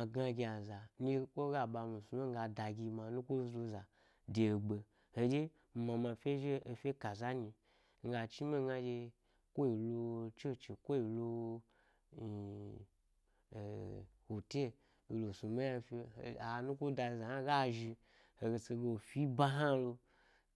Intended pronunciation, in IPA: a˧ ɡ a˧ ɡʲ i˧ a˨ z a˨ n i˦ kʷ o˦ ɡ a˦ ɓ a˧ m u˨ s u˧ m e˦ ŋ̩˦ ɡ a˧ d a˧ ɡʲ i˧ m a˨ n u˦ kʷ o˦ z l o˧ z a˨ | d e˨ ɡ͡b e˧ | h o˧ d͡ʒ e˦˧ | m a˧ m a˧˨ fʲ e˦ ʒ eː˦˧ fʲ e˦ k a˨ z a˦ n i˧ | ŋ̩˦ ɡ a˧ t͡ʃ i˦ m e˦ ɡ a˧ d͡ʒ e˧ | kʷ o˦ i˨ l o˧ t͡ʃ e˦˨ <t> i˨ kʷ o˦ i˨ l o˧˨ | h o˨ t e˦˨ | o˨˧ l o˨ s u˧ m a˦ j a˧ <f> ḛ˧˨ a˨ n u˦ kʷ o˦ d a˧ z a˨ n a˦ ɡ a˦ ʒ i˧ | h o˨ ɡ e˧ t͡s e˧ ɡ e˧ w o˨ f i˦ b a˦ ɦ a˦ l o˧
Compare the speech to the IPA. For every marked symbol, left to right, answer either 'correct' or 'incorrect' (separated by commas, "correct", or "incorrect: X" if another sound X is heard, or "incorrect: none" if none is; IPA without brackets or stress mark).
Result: incorrect: t͡ʃ, correct